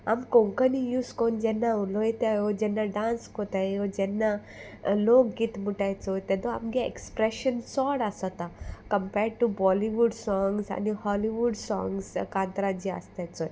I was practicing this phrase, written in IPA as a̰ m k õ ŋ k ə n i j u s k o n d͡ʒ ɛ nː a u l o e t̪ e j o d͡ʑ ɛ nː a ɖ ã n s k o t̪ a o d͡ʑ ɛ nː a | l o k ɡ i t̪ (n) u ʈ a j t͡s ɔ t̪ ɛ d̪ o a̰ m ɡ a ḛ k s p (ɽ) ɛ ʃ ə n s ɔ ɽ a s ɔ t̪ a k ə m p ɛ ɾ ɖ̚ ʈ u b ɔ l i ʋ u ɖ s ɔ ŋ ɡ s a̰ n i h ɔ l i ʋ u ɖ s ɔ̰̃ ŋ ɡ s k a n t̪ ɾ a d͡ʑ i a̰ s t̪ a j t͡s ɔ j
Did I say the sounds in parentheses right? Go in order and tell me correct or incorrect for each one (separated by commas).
incorrect, incorrect